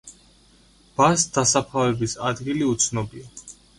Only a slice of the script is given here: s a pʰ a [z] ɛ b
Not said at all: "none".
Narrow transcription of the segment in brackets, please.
v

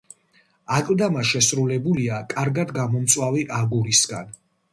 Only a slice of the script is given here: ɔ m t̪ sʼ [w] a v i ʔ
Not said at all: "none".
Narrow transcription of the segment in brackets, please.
w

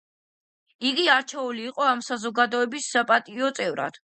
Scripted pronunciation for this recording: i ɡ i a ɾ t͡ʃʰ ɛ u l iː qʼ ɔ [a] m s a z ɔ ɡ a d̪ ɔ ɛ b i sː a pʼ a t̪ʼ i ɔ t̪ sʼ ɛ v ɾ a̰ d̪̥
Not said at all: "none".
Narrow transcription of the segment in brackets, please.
a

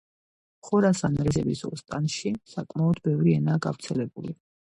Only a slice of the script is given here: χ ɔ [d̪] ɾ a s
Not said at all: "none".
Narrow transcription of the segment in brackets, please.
none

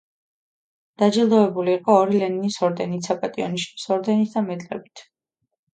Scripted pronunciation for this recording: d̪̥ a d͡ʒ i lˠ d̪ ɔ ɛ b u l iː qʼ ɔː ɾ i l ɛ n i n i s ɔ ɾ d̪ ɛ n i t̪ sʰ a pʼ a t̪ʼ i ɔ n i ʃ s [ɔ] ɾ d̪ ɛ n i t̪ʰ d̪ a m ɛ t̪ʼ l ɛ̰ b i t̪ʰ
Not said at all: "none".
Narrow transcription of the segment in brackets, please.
ɔ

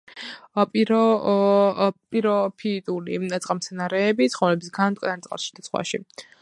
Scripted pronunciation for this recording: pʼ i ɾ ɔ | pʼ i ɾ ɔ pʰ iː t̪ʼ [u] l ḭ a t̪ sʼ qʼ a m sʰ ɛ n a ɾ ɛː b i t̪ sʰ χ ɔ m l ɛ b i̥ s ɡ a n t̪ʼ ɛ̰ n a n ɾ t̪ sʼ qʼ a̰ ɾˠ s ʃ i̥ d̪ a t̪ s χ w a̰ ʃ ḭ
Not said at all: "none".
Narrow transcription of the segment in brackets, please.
u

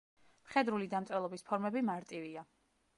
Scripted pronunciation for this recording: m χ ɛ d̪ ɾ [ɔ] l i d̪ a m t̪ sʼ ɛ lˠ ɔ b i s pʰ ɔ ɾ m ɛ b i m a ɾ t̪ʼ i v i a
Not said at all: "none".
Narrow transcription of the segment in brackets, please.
u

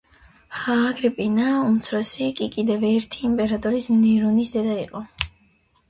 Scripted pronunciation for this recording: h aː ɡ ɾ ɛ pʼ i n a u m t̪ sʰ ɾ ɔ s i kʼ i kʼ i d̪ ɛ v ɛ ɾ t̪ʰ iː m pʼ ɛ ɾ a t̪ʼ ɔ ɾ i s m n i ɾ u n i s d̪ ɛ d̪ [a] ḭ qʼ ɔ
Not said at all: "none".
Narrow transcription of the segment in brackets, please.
a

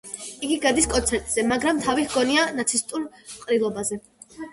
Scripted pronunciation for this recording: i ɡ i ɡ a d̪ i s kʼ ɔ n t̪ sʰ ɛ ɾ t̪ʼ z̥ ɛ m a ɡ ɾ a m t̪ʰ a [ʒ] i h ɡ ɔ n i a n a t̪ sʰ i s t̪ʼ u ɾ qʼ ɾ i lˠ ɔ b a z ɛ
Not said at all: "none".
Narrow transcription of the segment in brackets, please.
v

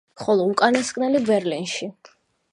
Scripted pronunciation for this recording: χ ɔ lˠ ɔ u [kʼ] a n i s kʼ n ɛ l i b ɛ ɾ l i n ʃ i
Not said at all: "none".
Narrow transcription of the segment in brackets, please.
kʼ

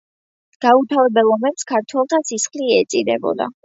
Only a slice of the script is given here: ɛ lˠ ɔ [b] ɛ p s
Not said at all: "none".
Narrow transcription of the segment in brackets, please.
m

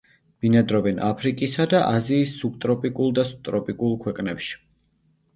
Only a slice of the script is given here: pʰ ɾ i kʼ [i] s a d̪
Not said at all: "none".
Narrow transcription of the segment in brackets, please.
i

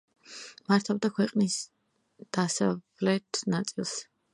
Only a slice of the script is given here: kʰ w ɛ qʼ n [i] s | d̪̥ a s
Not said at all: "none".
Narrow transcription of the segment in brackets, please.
i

